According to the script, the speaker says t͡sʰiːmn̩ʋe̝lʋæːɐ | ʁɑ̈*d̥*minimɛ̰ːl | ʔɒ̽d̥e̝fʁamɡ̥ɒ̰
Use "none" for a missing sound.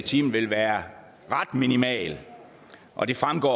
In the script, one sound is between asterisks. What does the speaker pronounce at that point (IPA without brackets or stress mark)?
d̥